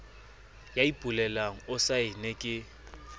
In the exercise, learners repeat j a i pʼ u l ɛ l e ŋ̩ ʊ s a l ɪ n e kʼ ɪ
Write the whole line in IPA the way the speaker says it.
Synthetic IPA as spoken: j a i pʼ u l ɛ l a ŋ̩ ʊ s a ɪ n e kʼ ɪ